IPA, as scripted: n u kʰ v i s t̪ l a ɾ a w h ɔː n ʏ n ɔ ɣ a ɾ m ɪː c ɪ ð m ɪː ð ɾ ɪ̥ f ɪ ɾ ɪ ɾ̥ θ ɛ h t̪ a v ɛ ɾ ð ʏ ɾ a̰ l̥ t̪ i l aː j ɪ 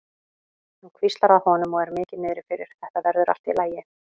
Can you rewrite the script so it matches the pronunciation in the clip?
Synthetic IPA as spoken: n u kʰ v i s t̪ l a ɾ a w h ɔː n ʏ m ɔ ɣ ɛ ɾ m ɪː c ɪ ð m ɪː ð ɾ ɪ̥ f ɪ ɾ ɪ ɾ̥ θ ɛ h t̪ a v ɛ ɾ ð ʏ ɾ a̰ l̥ t̪ i l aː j ɪ